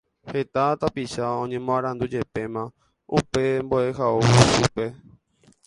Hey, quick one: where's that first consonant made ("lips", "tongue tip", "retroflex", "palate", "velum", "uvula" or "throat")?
throat